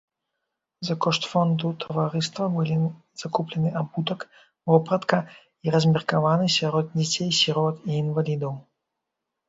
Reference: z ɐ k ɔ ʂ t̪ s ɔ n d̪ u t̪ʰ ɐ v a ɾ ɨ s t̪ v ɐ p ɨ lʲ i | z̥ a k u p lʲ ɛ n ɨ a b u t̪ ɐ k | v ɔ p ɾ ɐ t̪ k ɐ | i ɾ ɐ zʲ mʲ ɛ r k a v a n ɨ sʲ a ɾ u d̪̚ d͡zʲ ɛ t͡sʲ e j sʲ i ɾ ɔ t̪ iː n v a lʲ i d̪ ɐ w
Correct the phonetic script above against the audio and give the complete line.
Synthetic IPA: z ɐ k ɔ ʂ t̪ f ɔ n d̪ u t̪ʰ ɐ v a ɾ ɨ s t̪ v ɐ b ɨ lʲ i | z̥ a k u p lʲ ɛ n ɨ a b u t̪ ɐ k | v ɔ p ɾ ɐ t̪ k ɐ | i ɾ ɐ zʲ mʲ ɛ r k a v a n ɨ sʲ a ɾ ɔ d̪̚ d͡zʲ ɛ t͡sʲ e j sʲ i ɾ ɔ t̪ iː n v a lʲ i d̪ ɐ w